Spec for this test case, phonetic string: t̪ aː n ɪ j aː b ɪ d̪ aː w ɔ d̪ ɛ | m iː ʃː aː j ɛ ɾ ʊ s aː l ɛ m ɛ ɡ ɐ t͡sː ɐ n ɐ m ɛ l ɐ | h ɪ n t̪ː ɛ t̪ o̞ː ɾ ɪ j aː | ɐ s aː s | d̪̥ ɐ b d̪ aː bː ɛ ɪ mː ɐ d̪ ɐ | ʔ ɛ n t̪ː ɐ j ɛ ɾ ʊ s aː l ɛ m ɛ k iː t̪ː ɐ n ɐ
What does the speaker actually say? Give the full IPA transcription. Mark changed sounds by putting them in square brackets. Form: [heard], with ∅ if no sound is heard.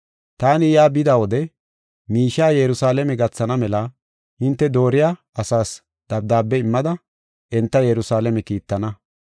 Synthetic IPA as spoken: t̪ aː n ɪ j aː b ɪ d̪ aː w ɔ d̪ ɛ | m iː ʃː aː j ɛ ɾ ʊ s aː l ɛ m ɛ ɡ ɐ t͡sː ɐ n ɐ m ɛ l ɐ | h ɪ n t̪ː ɛ [d̪] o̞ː ɾ ɪ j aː | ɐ s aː s | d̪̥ ɐ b d̪ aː bː ɛ ɪ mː ɐ d̪ ɐ | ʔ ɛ n t̪ː ɐ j ɛ ɾ ʊ s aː l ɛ m ɛ k iː t̪ː ɐ n ɐ